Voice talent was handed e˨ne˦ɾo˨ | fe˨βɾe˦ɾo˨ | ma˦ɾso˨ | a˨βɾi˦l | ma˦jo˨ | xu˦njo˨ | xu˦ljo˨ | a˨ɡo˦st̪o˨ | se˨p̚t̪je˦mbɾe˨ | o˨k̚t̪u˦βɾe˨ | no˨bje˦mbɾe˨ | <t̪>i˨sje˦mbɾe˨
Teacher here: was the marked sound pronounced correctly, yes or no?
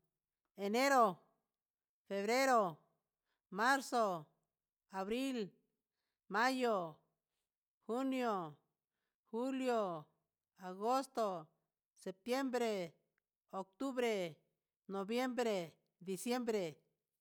no